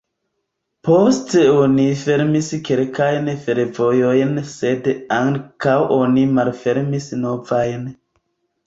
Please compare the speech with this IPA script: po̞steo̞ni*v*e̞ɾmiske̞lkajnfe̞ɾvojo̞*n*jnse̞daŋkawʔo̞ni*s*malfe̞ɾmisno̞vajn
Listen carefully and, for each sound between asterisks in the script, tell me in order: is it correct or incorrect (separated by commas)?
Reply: incorrect, incorrect, incorrect